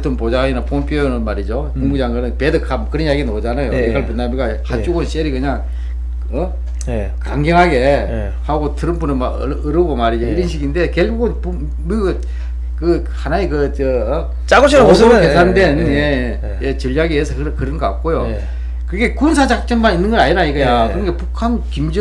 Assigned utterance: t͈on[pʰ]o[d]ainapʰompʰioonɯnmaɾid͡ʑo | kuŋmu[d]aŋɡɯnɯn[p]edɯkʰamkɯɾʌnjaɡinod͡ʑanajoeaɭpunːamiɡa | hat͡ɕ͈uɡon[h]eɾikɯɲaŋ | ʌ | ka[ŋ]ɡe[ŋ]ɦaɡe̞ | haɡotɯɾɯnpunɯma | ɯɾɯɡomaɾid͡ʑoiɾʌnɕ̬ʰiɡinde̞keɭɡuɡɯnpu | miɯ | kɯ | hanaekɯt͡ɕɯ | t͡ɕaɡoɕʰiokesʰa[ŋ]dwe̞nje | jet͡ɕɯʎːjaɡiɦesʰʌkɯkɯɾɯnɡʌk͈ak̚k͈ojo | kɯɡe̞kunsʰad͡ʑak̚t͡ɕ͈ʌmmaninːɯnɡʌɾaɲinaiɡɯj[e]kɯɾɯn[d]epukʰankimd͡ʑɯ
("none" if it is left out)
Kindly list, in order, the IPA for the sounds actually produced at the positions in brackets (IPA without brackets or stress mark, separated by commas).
p, d͡ʑ, d͡ʑ, p, ɕ, ŋ, ŋ, n, a, ɡ